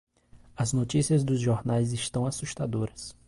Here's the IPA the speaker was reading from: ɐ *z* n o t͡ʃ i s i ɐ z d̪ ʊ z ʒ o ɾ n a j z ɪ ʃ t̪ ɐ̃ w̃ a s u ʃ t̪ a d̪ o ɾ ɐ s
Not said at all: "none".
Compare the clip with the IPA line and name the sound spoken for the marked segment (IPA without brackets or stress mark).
z